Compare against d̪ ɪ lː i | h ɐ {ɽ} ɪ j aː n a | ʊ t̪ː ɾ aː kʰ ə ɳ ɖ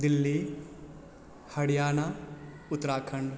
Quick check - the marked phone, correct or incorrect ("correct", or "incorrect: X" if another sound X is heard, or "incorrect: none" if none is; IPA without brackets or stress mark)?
correct